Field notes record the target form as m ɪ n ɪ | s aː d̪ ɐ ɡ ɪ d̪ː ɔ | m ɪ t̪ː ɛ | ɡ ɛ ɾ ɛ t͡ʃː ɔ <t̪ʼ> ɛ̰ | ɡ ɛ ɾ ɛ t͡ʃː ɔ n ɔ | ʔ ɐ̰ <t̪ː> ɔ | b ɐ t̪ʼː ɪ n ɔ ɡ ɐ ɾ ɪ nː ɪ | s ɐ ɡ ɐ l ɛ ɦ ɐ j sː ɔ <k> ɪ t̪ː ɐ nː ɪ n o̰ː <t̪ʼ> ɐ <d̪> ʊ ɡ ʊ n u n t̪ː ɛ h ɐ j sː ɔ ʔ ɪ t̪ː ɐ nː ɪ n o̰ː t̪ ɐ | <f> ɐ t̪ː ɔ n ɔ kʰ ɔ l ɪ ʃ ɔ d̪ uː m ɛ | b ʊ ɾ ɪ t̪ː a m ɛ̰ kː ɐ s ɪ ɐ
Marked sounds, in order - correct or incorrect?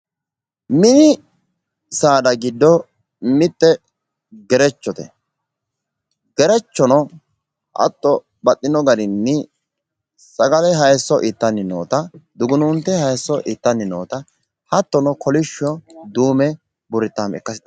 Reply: incorrect, correct, incorrect, incorrect, correct, incorrect

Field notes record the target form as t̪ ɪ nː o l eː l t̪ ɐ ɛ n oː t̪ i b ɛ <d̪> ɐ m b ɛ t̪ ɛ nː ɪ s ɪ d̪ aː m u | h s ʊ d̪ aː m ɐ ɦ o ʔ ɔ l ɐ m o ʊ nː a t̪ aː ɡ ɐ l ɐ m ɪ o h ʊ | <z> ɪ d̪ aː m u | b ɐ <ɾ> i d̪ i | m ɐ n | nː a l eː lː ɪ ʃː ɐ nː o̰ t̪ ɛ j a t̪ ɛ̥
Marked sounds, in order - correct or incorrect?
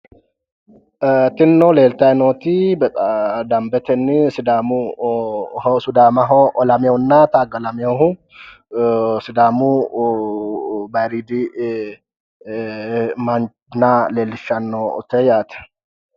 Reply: correct, incorrect, correct

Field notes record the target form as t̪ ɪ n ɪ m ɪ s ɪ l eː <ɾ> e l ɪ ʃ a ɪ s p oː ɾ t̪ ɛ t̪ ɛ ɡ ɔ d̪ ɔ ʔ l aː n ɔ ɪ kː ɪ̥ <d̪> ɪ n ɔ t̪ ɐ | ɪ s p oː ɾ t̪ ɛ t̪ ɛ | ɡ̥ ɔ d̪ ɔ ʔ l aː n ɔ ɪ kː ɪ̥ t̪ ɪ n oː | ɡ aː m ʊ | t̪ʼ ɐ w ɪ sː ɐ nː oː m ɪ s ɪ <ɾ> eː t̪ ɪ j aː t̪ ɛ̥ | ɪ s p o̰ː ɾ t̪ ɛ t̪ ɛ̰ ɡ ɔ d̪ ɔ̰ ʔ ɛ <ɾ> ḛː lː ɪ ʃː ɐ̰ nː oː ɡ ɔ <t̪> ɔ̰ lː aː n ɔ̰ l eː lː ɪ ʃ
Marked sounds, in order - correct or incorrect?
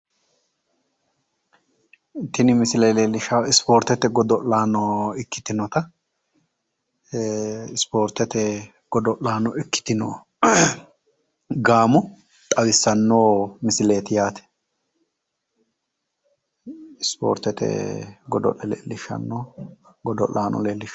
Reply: incorrect, incorrect, incorrect, incorrect, incorrect

